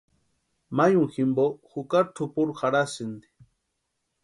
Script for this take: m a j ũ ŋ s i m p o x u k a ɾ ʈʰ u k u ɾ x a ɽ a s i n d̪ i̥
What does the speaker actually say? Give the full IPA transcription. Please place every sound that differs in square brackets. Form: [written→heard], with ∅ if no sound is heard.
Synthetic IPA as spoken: m a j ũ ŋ [s→x] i m [p→b] o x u k a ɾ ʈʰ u [k→p] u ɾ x a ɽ a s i n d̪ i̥